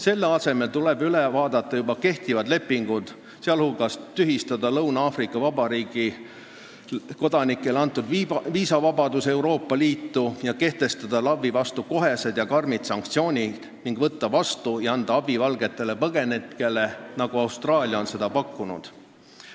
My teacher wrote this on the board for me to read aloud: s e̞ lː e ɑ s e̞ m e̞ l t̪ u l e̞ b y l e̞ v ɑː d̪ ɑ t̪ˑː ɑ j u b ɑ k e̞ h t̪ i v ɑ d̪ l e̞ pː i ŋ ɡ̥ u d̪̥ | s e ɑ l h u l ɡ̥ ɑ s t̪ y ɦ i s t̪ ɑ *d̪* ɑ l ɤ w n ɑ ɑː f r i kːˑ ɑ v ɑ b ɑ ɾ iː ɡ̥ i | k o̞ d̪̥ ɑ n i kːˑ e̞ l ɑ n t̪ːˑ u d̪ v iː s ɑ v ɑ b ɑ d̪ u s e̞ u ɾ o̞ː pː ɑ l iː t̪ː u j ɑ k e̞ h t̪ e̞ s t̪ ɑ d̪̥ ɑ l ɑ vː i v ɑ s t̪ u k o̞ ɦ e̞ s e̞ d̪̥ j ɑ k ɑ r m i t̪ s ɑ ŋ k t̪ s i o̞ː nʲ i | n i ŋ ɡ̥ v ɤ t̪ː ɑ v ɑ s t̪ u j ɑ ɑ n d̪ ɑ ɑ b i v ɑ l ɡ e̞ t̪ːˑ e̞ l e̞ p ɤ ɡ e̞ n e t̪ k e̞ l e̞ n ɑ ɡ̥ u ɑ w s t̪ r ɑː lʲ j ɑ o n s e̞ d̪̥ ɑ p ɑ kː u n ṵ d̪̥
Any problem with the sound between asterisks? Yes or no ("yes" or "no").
no